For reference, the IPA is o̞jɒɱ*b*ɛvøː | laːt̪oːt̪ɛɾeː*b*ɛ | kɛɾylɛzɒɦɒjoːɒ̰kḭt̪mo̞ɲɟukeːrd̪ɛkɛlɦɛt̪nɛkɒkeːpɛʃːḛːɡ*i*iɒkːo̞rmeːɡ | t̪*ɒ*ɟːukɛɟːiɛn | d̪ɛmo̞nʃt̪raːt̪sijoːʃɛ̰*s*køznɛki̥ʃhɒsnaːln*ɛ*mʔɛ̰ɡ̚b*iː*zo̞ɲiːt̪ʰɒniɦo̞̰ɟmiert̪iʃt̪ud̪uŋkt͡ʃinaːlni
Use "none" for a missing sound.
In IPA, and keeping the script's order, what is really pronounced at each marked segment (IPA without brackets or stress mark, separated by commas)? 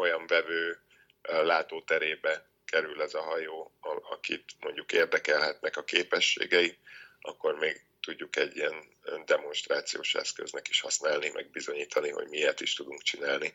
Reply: v, b, ɛ, u, s, i, i